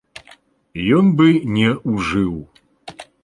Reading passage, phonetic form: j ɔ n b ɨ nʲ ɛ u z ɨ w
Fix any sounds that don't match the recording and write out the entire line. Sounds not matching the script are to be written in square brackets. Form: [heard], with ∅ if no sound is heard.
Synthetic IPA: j ɔ n b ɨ nʲ ɛ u [ʐ] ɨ w